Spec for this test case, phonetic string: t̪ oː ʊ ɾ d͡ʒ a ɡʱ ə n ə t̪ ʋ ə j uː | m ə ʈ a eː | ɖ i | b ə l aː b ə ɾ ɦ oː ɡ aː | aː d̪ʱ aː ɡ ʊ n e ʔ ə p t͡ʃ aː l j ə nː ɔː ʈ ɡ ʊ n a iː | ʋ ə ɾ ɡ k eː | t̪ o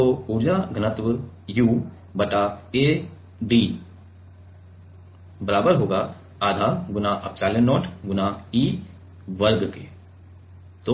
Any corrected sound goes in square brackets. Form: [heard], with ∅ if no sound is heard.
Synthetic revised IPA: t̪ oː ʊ ɾ d͡ʒ a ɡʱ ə n ə t̪ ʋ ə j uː | [b] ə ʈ a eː | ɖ i | b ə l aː b ə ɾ ɦ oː ɡ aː | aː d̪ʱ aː ɡ ʊ n [a] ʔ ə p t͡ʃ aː l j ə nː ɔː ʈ ɡ ʊ n a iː | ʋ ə ɾ ɡ k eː | t̪ o